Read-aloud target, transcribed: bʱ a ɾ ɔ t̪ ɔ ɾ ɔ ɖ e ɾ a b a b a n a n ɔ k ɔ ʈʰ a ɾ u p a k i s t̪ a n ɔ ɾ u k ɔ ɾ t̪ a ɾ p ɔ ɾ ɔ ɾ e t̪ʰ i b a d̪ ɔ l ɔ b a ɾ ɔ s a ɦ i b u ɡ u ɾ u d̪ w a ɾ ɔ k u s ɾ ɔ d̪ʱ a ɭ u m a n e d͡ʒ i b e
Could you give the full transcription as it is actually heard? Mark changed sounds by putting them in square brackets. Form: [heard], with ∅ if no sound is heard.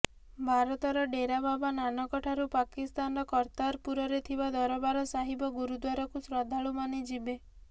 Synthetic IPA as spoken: bʱ a ɾ ɔ t̪ ɔ ɾ ɔ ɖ e ɾ a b a b a n a n ɔ k ɔ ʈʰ a ɾ u p a k i s t̪ a n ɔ ɾ [ɔ] k ɔ ɾ t̪ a ɾ p [u] ɾ ɔ ɾ e t̪ʰ i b a d̪ ɔ [ɾ] ɔ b a ɾ ɔ s a ɦ i b [ɔ] ɡ u ɾ u d̪ w a ɾ ɔ k u s ɾ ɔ d̪ʱ a ɭ u m a n e d͡ʒ i b e